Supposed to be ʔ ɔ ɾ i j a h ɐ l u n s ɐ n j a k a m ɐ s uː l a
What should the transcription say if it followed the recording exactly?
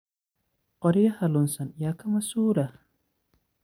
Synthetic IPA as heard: q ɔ ɾ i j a h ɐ l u n s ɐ n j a k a m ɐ s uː ɾ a